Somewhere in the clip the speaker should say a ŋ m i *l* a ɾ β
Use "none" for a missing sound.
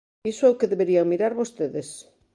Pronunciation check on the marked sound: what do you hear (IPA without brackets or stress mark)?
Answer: ɾ